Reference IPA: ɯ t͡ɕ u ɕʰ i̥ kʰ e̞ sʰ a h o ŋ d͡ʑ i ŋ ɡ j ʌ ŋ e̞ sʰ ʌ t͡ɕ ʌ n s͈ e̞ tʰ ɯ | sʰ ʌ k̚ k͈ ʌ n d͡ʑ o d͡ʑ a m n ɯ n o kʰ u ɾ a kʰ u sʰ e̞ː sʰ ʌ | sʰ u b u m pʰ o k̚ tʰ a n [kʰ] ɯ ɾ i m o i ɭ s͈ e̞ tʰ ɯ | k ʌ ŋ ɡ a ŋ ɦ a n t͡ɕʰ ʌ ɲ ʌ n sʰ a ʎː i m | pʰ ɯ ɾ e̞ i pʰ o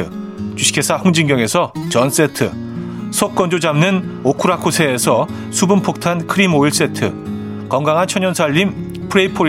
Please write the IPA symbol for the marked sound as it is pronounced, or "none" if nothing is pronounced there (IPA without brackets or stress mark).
kʰ